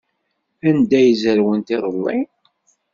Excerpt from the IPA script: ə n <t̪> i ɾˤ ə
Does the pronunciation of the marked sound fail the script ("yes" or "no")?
no